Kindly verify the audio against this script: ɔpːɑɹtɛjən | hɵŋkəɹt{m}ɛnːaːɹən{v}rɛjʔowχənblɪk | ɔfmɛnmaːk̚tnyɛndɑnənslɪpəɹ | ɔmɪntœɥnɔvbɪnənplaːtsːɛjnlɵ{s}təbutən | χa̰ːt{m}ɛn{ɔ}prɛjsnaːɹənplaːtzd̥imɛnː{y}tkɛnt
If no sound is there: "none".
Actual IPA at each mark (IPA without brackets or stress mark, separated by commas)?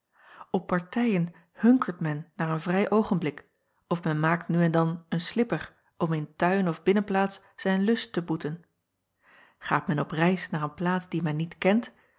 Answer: m, v, s, m, ɔ, i